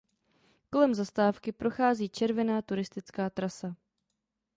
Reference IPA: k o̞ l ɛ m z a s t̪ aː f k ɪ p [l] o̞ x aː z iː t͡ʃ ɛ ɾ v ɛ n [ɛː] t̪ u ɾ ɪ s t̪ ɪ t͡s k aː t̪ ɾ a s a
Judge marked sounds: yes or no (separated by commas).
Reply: no, no